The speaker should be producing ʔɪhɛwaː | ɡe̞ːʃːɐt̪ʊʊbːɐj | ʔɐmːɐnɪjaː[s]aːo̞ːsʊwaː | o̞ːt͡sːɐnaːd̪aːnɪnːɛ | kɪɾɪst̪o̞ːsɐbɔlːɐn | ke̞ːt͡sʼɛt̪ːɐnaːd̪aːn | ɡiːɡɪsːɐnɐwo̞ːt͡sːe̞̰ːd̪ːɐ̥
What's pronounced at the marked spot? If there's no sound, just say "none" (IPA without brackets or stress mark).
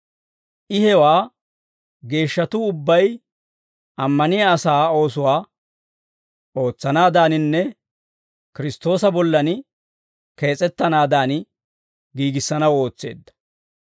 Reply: s